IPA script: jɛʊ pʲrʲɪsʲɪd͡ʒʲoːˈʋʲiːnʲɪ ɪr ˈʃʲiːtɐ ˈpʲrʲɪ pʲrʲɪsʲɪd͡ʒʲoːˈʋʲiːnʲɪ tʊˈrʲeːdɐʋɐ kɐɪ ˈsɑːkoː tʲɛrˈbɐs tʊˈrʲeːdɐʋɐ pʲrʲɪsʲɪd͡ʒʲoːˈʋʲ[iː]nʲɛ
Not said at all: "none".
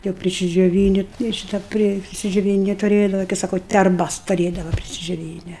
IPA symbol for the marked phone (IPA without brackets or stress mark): iː